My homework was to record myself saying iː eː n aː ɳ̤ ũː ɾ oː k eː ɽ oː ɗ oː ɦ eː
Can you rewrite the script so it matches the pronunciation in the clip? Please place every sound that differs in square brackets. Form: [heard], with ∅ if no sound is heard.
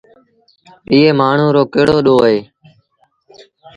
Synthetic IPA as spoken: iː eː [m] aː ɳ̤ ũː ɾ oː k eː ɽ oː ɗ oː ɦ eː